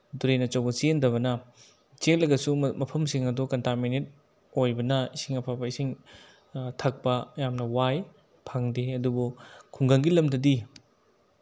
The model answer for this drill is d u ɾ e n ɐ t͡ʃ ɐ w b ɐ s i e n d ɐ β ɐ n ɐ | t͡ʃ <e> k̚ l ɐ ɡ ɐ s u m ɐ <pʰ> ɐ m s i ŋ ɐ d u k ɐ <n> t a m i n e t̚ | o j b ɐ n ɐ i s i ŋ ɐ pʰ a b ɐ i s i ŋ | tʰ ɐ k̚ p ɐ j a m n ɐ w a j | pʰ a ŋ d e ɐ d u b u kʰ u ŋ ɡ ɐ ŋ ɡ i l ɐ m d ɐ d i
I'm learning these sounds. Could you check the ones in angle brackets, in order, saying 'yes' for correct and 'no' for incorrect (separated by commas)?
yes, yes, yes